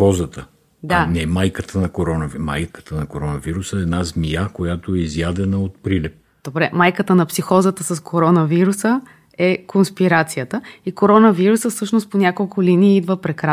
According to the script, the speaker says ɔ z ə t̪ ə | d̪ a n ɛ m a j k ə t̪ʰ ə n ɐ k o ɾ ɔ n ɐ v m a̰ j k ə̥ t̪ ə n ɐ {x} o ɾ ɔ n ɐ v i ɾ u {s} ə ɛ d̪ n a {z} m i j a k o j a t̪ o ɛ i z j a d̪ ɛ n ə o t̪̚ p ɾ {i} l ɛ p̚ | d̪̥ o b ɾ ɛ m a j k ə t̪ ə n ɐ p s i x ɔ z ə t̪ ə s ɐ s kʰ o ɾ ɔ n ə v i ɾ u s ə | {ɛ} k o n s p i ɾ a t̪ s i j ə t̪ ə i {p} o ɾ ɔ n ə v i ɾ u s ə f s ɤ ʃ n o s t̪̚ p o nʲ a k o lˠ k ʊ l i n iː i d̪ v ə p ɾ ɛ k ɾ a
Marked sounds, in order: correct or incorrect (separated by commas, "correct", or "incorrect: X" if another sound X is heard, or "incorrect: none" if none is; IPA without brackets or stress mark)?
incorrect: k, correct, correct, correct, correct, incorrect: k